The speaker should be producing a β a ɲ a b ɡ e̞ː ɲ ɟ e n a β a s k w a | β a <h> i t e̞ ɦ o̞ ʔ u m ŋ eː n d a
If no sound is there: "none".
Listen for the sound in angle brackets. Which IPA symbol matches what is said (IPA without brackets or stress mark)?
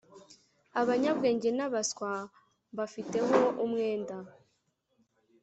f